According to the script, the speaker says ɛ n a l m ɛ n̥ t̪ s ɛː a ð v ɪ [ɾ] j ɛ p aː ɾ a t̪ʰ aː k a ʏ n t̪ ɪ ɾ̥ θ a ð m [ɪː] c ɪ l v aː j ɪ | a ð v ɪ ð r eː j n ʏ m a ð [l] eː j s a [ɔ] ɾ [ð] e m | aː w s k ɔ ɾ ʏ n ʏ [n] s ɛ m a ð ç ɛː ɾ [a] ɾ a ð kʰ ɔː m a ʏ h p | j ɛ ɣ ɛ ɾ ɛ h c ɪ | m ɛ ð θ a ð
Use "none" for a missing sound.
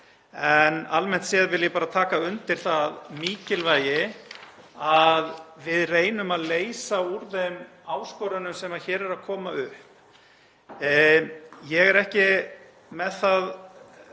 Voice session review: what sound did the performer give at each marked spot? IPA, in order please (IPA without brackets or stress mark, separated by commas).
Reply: l, iː, l, u, ð, m, ɛ